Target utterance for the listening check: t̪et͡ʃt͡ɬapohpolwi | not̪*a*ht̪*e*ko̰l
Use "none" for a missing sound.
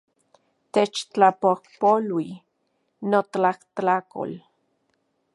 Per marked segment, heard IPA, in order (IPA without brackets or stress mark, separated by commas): a, a